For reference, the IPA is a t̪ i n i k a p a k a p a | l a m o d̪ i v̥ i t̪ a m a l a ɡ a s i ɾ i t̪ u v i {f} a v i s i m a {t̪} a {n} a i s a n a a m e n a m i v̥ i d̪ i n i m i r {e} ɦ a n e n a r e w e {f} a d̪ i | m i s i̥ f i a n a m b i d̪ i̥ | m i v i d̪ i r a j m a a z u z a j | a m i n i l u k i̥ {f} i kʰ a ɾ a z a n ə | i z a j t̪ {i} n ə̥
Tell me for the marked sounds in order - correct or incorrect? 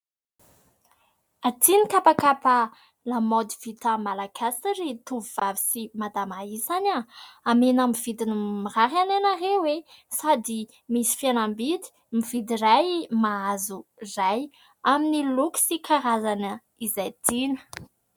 incorrect, incorrect, incorrect, incorrect, incorrect, incorrect, correct

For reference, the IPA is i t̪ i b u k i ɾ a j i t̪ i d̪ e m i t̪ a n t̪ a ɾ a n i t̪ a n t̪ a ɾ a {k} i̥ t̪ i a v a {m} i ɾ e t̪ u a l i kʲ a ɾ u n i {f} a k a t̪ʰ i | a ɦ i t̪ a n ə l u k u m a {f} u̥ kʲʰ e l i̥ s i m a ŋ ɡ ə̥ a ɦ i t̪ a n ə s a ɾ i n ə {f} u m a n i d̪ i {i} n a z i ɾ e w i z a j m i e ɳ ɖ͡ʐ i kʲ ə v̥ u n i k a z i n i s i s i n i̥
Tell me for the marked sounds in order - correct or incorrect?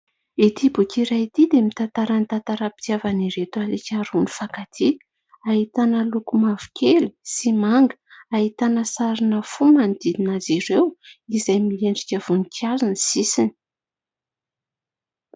incorrect, incorrect, correct, incorrect, correct, correct

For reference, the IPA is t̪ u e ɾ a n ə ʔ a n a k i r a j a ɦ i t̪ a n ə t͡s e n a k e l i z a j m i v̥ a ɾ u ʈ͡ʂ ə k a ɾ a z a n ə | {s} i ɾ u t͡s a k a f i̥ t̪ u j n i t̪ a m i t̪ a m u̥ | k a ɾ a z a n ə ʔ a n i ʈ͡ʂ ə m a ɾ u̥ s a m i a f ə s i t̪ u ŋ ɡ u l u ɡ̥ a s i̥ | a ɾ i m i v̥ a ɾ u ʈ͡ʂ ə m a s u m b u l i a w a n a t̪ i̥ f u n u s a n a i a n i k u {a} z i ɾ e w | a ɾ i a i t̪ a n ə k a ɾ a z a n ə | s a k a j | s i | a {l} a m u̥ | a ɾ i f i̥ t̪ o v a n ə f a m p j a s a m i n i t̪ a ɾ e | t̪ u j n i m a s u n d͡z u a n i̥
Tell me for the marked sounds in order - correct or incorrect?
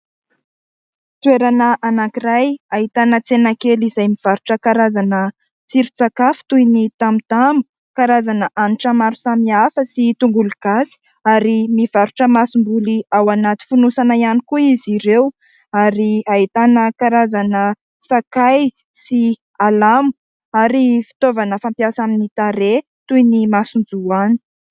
incorrect, incorrect, correct

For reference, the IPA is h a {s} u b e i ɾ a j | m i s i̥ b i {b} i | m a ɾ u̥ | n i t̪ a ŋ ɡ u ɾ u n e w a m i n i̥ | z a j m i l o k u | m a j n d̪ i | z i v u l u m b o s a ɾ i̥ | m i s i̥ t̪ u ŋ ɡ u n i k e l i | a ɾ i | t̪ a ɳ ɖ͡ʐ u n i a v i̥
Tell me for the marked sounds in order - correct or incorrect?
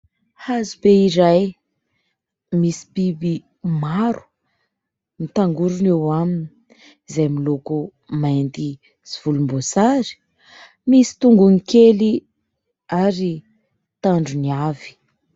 incorrect, correct

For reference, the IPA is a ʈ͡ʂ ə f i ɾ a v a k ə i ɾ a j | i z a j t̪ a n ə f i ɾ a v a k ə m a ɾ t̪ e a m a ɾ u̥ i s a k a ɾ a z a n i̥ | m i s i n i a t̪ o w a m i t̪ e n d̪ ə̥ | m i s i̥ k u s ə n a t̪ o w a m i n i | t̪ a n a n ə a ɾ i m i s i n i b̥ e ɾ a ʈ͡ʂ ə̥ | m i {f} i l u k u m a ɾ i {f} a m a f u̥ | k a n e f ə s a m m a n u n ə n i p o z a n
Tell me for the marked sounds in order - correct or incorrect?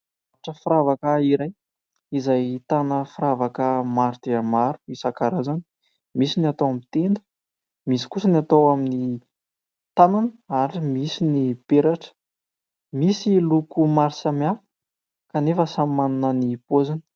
incorrect, incorrect

